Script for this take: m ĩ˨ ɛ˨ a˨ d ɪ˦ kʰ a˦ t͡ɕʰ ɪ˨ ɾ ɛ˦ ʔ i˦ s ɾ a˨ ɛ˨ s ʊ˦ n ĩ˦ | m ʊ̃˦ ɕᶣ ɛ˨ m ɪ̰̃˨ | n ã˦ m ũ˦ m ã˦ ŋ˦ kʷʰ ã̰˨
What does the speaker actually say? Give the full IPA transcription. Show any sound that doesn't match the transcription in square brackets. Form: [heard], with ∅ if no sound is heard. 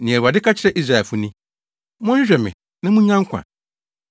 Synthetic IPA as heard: [n] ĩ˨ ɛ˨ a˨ d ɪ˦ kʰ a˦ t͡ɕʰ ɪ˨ ɾ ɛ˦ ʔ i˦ s ɾ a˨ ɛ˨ [f] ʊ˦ n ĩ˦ | m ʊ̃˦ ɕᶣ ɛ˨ m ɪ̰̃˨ | n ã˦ m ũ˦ [ɲ] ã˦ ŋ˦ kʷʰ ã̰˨